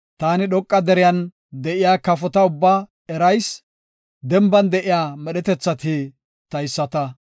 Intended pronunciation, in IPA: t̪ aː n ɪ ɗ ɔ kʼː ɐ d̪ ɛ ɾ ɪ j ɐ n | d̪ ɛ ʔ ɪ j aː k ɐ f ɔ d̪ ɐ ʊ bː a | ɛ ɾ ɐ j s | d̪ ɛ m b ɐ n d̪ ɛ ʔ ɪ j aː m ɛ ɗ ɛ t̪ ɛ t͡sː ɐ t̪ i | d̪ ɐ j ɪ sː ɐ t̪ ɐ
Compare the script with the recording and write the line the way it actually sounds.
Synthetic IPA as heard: t̪ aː n ɪ ɗ ɔ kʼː ɐ d̪ ɛ ɾ ɪ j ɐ n | d̪ ɛ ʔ ɪ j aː k ɐ f ɔ t̪ ɐ ʊ bː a | ɛ ɾ ɐ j s | d̪ ɛ m b ɐ n d̪ ɛ ʔ ɪ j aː m ɛ ɗ ɛ t̪ ɛ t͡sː ɐ t̪ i | t̪ ɐ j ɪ sː ɐ t̪ ɐ